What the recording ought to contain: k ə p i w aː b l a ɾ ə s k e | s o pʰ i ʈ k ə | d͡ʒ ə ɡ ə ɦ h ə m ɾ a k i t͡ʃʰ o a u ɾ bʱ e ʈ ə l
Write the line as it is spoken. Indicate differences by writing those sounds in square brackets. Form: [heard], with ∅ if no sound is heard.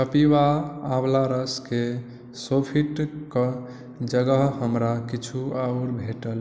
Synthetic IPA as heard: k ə p i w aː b l a ɾ ə s k e | s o pʰ i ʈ k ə | d͡ʒ ə ɡ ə ɦ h ə m ɾ a k i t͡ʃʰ [u] a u ɾ bʱ e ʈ ə l